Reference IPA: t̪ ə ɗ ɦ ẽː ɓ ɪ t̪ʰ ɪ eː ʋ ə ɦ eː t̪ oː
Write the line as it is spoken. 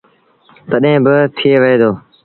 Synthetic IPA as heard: t̪ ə ɗ ɦ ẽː b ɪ t̪ʰ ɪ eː ʋ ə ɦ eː d̪ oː